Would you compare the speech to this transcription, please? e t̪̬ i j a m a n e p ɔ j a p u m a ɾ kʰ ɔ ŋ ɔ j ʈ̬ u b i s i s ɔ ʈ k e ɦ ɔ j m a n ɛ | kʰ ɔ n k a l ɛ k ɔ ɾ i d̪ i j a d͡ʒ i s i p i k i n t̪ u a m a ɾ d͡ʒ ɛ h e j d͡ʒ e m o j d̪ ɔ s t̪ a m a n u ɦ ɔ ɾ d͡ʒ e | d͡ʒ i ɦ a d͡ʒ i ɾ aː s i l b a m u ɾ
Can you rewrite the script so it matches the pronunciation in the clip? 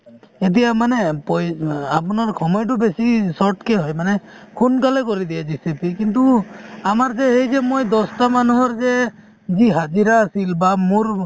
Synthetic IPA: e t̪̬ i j a m a n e p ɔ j a p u n a ɾ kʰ ɔ m ɔ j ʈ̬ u b e s i s ɔ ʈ k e ɦ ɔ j m a n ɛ | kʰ u n k a l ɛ k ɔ ɾ i d̪ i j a d͡ʒ i s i p i k i n t̪ u a m a ɾ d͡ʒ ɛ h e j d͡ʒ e m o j d̪ ɔ s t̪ a m a n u ɦ ɔ ɾ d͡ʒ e | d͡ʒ i ɦ a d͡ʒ i ɾ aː s i l b a m u ɾ